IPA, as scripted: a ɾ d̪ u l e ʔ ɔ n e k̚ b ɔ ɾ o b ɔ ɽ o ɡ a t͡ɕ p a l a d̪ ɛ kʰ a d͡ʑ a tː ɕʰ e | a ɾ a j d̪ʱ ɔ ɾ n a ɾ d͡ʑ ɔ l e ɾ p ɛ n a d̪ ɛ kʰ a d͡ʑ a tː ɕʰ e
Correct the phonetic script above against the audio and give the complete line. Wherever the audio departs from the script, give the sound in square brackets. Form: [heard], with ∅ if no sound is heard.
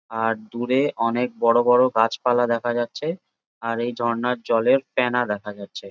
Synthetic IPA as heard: a ɾ d̪ u [ɾ] e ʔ ɔ n e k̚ b ɔ [ɽ] o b ɔ ɽ o ɡ a t͡ɕ p a l a d̪ ɛ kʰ a d͡ʑ a tː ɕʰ e | a ɾ [e] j d̪ʱ ɔ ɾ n a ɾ d͡ʑ ɔ l e ɾ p ɛ n a d̪ ɛ kʰ a d͡ʑ a tː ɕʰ e

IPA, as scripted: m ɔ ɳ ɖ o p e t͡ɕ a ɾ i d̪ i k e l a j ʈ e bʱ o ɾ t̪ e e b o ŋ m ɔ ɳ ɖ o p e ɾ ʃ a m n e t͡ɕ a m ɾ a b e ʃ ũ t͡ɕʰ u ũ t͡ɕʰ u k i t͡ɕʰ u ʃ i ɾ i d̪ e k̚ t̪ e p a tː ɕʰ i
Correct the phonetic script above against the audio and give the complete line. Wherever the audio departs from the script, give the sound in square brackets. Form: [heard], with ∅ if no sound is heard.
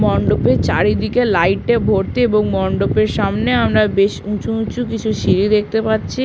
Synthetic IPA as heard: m ɔ ɳ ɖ o p e t͡ɕ a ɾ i d̪ i k e l a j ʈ e bʱ o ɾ t̪ e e b o ŋ m ɔ ɳ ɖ o p e ɾ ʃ a m n e [∅] a m ɾ a b e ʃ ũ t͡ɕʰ u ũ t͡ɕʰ u k i t͡ɕʰ u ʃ i ɾ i d̪ e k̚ t̪ e p a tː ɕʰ i

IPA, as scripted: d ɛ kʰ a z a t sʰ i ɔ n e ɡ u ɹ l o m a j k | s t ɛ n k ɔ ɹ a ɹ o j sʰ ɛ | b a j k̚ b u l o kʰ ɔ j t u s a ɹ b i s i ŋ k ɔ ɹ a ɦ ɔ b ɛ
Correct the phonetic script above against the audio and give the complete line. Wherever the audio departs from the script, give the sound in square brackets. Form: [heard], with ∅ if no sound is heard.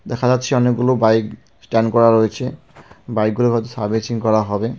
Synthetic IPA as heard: d ɛ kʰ a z a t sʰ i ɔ n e ɡ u [∅] l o [b] a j k | s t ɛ n k ɔ ɹ a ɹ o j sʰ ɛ | b a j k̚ [ɡ] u l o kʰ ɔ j t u s a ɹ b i s i ŋ k ɔ ɹ a ɦ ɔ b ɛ

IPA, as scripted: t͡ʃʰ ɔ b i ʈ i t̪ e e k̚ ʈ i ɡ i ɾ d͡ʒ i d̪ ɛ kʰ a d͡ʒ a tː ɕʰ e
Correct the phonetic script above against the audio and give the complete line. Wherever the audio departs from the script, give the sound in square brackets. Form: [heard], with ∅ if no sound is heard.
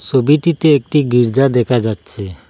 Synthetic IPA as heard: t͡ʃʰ [o] b i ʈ i t̪ e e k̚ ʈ i ɡ i ɾ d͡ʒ [a] d̪ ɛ kʰ a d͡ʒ a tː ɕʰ e

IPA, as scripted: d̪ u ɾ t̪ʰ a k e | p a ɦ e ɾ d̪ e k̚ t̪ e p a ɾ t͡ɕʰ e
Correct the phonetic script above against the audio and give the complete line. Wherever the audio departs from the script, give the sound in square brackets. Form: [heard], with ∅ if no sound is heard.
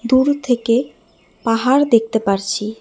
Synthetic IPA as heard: d̪ u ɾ t̪ʰ [e] k e | p a ɦ [a] ɾ d̪ e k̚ t̪ e p a ɾ t͡ɕʰ [i]

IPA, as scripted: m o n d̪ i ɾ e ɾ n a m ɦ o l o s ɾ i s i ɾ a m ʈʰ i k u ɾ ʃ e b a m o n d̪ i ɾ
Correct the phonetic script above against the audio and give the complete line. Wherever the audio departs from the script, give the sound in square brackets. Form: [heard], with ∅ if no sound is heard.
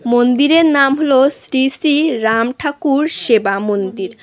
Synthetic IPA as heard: m o n d̪ i ɾ e ɾ n a m ɦ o l o s ɾ i s i ɾ a m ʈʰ [a] k u ɾ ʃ e b a m o n d̪ i ɾ

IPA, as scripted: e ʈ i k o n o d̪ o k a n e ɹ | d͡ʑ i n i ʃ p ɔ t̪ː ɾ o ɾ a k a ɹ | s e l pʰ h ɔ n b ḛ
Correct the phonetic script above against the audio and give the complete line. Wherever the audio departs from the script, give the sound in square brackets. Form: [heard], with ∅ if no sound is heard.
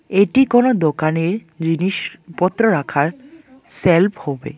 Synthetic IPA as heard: e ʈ i k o n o d̪ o k a n e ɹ | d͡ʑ i n i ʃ p ɔ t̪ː ɾ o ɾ a [kʰ] a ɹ | s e l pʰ h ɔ [∅] b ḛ

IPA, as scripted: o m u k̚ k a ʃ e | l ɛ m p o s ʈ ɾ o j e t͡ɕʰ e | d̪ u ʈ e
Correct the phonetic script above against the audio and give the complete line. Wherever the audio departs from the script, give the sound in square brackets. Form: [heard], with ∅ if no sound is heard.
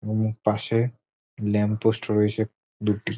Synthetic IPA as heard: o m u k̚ [p] a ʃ e | l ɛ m p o s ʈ ɾ o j e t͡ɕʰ e | d̪ u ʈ [i]

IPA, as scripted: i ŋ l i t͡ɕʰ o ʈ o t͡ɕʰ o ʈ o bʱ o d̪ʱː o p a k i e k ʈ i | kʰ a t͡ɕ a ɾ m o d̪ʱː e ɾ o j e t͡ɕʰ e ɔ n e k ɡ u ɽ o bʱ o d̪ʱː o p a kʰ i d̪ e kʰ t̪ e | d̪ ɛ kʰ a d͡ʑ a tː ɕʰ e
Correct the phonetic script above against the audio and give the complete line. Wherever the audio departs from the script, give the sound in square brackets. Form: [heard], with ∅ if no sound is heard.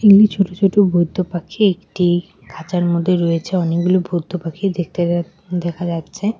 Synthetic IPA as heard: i ŋ l i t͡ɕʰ o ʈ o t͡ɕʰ o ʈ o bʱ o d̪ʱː o p a [kʰ] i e k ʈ i | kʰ a t͡ɕ a ɾ m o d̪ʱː e ɾ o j e t͡ɕʰ e ɔ n e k ɡ u [l] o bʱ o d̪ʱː o p a kʰ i d̪ e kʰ t̪ e | d̪ ɛ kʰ a d͡ʑ a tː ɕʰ e

